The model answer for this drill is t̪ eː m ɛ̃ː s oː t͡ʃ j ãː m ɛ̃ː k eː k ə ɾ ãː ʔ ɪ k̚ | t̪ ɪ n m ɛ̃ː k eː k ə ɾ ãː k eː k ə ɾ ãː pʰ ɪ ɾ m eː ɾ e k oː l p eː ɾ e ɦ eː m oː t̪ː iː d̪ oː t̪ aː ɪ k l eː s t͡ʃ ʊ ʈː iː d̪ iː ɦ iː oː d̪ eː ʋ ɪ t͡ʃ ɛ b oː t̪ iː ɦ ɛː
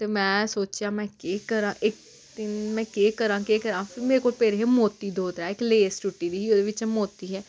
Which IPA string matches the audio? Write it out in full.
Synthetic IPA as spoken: t̪ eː m ɛ̃ː s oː t͡ʃ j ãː m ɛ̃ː k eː k ə ɾ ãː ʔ ɪ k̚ | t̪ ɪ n m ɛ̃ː k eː k ə ɾ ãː k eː k ə ɾ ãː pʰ ɪ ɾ m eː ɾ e k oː l p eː ɾ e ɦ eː m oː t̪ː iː d̪ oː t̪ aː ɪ k l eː s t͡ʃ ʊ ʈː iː d̪ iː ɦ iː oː d̪ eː ʋ ɪ t͡ʃ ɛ m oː t̪ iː ɦ ɛː